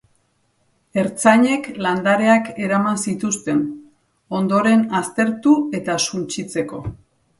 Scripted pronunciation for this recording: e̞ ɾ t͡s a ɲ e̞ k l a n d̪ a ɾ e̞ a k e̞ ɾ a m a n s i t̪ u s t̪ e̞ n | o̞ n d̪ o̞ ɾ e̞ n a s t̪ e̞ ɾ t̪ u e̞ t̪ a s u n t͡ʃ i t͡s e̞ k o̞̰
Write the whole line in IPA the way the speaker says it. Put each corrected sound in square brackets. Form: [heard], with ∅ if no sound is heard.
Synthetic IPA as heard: e̞ ɾ t͡s a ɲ e̞ k l a n d̪ a ɾ e̞ a k e̞ ɾ a m a n s i t̪ u s t̪ e̞ n | o̞ n d̪ o̞ ɾ e̞ n a s t̪ e̞ ɾ t̪ u e̞ t̪ a s u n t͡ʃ i t͡s e̞ k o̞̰

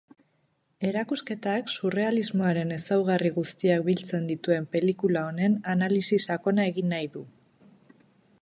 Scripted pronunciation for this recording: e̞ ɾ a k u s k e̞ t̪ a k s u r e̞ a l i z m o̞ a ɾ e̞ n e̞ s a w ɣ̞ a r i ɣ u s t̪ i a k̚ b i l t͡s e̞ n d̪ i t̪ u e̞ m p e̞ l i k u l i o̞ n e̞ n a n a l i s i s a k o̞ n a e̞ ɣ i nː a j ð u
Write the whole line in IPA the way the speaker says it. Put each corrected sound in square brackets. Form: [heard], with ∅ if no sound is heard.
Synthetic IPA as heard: e̞ ɾ a k u s k e̞ t̪ a k s u r e̞ a l i z m o̞ a ɾ e̞ n e̞ s a w ɣ̞ a r i ɣ u s t̪ i a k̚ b i l t͡s e̞ n d̪ i t̪ u e̞ m p e̞ l i k u l [a] o̞ n e̞ n a n a l i s i s a k o̞ n a e̞ ɣ i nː a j ð u

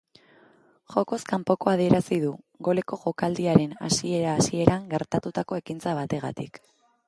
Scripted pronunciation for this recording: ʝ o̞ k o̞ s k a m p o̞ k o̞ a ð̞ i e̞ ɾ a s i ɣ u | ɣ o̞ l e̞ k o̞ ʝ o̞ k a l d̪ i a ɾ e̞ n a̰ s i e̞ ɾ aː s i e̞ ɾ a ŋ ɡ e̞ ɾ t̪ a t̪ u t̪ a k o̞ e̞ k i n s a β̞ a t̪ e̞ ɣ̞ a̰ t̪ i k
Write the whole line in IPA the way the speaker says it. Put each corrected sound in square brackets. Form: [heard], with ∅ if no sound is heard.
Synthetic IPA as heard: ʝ o̞ k o̞ s k a m p o̞ k o̞ a ð̞ i e̞ ɾ a s i [ð] u | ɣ o̞ l e̞ k o̞ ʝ o̞ k a l d̪ i a ɾ e̞ n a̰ s i e̞ ɾ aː s i e̞ ɾ a ŋ ɡ e̞ ɾ t̪ a t̪ u t̪ a k o̞ e̞ k i n [t͡s] a β̞ a t̪ e̞ ɣ̞ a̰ t̪ i k

